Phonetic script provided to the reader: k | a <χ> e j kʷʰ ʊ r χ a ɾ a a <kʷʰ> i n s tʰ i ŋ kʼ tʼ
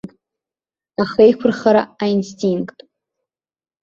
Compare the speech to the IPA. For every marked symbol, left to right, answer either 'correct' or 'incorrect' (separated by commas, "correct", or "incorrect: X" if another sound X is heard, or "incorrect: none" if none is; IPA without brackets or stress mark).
correct, incorrect: none